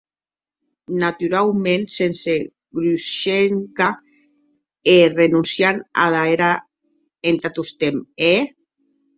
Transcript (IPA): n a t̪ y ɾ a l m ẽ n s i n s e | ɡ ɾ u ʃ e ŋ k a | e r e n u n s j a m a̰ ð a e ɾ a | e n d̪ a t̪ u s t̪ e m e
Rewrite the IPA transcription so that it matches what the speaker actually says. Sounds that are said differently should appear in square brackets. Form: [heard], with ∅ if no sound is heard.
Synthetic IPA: n a t̪ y ɾ a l m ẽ n s [e] n s e | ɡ ɾ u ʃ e ŋ k a | e r e n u n s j a [n] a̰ ð a e ɾ a | e n [t̪] a t̪ u s t̪ e m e